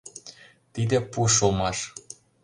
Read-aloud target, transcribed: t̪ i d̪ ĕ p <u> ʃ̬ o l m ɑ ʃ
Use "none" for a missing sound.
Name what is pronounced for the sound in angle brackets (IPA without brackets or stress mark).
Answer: u